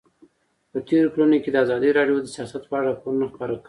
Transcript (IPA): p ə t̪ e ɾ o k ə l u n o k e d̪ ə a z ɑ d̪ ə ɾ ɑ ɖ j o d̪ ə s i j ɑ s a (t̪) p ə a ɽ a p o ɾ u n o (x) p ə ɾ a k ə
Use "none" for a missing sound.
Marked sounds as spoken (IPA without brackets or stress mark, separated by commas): t̪, x